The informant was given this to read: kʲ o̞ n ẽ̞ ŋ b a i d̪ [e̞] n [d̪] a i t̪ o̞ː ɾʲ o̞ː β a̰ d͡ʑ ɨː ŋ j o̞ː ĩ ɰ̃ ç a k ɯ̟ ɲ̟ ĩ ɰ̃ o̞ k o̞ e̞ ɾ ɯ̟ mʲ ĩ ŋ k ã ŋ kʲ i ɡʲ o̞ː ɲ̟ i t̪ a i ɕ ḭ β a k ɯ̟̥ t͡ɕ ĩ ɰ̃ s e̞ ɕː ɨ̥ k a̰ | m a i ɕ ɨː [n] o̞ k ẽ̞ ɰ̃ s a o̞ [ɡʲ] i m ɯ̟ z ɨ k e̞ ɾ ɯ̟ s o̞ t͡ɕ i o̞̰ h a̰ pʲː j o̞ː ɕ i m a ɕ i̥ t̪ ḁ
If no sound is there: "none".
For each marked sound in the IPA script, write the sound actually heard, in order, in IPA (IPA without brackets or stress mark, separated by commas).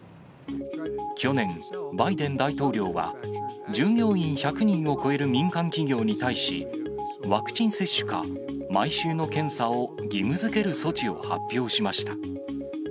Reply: ẽ̞, d̪, n, ɡʲ